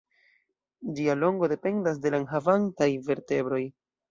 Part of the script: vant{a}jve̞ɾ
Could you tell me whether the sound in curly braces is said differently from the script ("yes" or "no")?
no